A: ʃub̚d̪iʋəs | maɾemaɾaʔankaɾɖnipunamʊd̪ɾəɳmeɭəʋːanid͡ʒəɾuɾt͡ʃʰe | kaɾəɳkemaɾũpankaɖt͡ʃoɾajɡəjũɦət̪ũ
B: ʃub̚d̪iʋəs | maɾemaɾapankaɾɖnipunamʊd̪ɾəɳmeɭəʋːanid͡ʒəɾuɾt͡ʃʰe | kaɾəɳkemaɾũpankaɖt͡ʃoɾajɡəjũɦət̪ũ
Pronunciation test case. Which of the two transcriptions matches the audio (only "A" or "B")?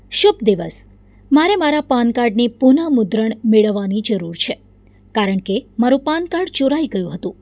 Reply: B